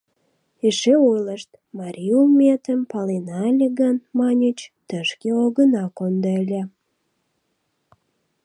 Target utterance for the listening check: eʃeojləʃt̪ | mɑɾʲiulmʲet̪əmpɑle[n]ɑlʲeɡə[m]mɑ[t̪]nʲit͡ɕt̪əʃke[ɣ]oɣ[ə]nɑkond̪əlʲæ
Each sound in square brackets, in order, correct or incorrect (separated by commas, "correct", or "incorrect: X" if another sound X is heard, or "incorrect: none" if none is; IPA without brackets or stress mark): correct, incorrect: n, incorrect: none, incorrect: none, correct